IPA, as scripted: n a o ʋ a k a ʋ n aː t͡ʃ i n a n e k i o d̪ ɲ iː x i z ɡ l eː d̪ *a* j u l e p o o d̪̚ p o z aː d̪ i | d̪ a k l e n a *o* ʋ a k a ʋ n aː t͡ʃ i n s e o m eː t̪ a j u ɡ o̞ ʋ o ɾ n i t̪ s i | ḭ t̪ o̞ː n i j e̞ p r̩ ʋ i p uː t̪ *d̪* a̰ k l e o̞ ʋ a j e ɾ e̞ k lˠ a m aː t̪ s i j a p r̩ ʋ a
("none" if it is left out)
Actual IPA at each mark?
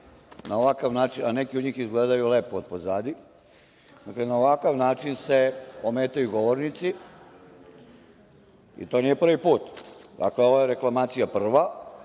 a, o, d̪

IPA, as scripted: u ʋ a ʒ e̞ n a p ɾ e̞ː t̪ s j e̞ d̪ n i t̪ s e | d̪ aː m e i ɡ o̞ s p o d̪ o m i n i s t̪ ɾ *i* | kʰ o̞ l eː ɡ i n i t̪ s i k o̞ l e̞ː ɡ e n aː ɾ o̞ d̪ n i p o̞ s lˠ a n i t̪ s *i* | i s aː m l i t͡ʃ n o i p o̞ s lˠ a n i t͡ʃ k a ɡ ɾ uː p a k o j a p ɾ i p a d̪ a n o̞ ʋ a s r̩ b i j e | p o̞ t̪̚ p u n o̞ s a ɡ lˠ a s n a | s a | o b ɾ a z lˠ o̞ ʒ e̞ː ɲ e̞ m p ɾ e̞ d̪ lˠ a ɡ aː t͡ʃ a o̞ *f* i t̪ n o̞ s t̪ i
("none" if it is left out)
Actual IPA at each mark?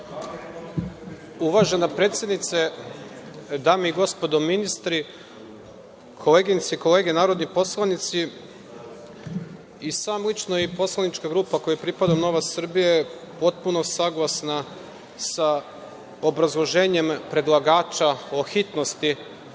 i, i, x

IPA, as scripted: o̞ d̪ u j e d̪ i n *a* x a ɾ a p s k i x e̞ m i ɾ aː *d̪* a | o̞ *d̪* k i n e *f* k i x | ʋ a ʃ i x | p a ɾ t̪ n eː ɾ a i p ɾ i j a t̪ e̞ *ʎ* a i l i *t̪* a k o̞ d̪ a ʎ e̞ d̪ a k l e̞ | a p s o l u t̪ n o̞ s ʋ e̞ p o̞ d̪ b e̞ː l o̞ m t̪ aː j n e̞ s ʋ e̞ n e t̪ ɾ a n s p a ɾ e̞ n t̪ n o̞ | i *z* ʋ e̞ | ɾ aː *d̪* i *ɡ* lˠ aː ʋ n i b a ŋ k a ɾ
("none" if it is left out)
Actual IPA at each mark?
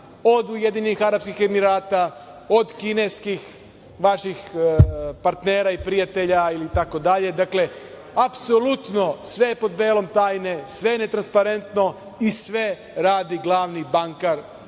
i, t̪, d̪, s, ʎ, t̪, s, d̪, ɡ

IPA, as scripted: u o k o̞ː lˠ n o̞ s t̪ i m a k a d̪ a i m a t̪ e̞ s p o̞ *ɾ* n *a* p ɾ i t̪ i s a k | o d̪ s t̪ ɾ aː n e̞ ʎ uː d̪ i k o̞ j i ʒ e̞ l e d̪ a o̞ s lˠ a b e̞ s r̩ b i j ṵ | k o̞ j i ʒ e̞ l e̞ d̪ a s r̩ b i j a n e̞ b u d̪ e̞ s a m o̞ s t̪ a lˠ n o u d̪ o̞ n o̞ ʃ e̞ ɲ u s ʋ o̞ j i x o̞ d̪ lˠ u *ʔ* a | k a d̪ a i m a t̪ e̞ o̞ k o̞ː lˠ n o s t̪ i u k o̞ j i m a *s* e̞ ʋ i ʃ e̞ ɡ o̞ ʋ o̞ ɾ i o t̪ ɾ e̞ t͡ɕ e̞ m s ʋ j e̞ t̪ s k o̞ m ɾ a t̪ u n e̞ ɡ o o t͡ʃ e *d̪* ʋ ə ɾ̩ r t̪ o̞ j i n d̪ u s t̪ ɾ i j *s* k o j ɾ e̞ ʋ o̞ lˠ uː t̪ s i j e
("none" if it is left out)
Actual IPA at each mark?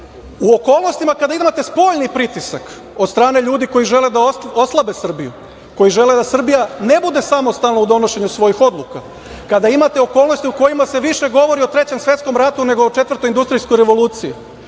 ʎ, i, k, s, t̪, s

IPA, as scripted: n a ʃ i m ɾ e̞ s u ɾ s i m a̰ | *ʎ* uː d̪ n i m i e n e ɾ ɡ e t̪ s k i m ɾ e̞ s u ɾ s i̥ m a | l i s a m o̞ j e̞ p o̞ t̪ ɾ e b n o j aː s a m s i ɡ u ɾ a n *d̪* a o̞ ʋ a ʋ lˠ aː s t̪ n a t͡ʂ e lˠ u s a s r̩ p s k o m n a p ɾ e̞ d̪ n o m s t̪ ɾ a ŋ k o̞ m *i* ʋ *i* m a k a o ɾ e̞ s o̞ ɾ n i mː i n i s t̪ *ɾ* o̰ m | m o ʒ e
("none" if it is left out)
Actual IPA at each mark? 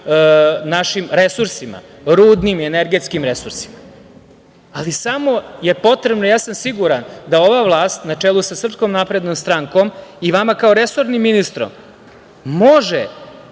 ɾ, d̪, i, a, ɾ

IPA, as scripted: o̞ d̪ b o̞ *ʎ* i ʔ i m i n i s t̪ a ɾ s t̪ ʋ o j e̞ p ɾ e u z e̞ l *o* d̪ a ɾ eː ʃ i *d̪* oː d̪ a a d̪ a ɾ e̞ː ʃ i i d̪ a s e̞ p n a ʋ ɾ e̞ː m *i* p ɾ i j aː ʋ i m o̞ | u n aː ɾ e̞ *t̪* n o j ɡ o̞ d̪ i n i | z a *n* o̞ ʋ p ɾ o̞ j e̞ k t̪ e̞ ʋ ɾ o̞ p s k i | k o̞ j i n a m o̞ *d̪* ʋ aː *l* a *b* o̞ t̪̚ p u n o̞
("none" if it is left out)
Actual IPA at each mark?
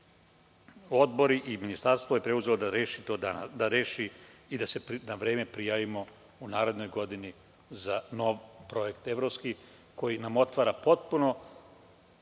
ɾ, o, t̪, e, d̪, n, t̪, ɾ, p

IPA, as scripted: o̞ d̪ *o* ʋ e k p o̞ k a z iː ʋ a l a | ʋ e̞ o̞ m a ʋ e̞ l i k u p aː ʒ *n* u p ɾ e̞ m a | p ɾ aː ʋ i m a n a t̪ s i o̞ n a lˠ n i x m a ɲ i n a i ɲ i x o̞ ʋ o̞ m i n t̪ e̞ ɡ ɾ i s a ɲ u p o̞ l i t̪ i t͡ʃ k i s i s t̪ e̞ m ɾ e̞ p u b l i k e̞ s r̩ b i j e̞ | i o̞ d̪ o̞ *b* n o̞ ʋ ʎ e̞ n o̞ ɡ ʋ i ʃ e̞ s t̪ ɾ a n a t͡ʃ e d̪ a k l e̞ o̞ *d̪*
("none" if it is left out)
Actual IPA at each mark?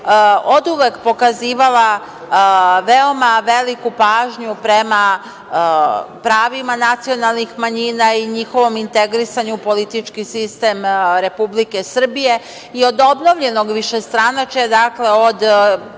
u, ɲ, b, d̪

